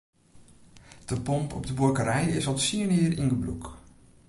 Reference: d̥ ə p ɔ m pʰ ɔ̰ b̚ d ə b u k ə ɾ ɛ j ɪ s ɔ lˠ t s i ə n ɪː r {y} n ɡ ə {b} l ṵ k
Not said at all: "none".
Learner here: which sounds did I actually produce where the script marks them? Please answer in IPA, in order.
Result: i, b

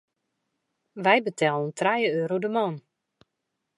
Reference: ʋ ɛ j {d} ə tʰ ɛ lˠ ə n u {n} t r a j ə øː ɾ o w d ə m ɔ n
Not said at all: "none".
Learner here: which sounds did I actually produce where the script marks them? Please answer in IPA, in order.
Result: b, n

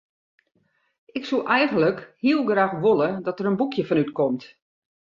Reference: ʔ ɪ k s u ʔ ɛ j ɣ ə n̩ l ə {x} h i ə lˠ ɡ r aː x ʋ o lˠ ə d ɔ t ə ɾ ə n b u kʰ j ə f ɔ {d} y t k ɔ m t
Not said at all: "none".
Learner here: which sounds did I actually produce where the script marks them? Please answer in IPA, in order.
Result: k, n

